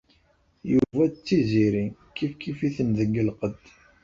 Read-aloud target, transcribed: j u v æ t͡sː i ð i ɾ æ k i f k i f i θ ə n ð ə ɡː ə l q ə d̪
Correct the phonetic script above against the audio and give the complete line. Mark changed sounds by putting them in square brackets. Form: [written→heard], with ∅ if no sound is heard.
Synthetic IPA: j u v æ t͡sː i [ð→z] i ɾ [æ→i] k i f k i f i θ ə n ð ə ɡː ə l q ə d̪